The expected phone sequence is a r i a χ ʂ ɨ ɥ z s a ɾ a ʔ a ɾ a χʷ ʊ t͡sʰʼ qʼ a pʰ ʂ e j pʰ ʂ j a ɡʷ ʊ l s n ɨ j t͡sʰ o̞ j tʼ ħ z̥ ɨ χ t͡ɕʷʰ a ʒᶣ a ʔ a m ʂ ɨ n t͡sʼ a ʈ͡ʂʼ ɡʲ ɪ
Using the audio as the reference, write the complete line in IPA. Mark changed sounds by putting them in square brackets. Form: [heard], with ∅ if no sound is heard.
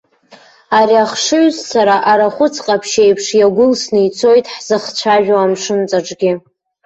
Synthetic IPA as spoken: a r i a χ ʂ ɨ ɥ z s a ɾ a ʔ a ɾ a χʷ ʊ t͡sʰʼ qʼ a pʰ [ʃ] e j pʰ ʂ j a ɡʷ ʊ l s n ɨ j t͡sʰ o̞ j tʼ ħ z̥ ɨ χ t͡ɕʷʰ a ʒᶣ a [∅] a m ʂ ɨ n t͡sʼ a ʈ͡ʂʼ ɡʲ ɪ